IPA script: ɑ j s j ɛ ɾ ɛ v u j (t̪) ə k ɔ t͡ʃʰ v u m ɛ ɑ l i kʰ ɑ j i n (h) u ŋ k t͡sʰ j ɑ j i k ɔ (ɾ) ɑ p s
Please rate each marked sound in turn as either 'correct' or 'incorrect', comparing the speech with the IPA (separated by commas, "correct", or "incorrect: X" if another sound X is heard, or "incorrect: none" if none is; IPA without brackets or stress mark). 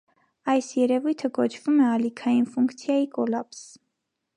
incorrect: t̪ʰ, incorrect: f, incorrect: l